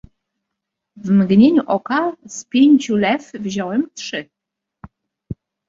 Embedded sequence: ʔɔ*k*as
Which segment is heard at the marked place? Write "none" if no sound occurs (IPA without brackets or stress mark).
k